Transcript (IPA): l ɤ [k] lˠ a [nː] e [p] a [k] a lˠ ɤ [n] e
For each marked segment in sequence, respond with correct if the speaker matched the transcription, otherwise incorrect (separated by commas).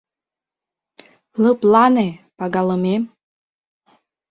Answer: incorrect, incorrect, correct, incorrect, incorrect